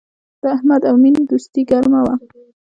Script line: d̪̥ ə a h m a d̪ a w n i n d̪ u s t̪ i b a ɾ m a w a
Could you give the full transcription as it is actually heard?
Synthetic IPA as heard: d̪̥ ə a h m a d̪ a w m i n d̪ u s t̪ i ɡ a ɾ m a w a